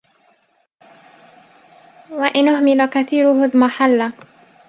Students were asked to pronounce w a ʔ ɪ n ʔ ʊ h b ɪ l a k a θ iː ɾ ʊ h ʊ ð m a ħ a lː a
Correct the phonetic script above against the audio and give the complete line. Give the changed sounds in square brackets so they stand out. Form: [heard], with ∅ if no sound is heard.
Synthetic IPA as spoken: w a ʔ ɪ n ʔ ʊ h [m] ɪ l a k a θ iː ɾ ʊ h ʊ ð m a ħ a lː a